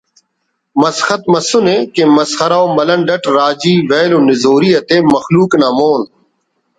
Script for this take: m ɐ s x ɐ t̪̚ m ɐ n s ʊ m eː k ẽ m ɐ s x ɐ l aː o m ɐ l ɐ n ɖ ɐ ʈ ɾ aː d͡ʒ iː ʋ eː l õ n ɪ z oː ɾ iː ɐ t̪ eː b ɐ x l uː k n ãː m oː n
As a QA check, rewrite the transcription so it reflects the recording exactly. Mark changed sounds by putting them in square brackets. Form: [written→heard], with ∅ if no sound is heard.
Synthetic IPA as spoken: m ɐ s x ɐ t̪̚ m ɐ [n→∅] s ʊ [m→n] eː k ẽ m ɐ s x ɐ [l→ɾ] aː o m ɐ l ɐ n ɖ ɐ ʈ ɾ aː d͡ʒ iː ʋ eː l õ n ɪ z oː ɾ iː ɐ t̪ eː [b→m] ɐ x l uː k n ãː m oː n